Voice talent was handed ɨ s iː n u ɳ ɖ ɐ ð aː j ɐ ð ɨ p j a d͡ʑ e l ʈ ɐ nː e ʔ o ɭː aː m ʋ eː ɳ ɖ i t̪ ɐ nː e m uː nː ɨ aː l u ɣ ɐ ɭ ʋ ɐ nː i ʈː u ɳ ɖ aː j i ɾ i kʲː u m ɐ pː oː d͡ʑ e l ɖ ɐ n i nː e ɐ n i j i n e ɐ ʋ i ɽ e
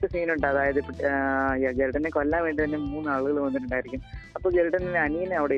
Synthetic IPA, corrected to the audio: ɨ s iː n u ɳ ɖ ɐ ð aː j ɐ ð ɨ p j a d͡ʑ e l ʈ ɐ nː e k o lː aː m ʋ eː ɳ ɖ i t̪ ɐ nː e m uː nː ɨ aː ɭ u ɣ ɐ ɭ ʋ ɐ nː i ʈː u ɳ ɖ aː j i ɾ i kʲː u m ɐ pː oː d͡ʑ e l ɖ ɐ n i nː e ɐ n i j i n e ɐ ʋ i ɽ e